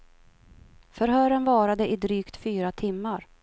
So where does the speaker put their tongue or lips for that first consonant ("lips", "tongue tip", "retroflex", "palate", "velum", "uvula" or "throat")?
lips